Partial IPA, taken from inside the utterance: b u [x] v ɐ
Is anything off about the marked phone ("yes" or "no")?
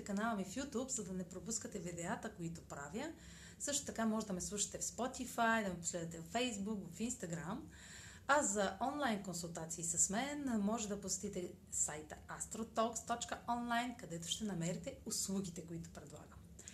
yes